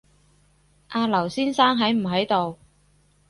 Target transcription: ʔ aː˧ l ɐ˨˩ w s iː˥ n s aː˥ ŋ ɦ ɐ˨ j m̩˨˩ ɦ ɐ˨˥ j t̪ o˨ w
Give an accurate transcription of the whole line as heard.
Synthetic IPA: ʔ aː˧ l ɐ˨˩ w s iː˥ n s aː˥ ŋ ɦ ɐ˨˥ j m̩˨˩ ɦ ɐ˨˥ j t̪ o˨ w